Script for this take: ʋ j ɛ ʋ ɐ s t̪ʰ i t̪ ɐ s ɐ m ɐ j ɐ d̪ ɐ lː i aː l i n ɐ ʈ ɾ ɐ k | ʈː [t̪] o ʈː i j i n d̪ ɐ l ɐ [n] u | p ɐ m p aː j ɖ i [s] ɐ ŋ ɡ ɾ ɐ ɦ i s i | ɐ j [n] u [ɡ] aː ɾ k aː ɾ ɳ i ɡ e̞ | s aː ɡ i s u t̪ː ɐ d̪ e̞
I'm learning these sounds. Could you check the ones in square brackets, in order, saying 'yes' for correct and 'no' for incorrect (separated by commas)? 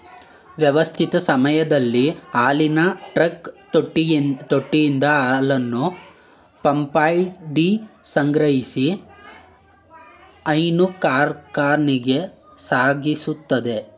yes, no, yes, yes, no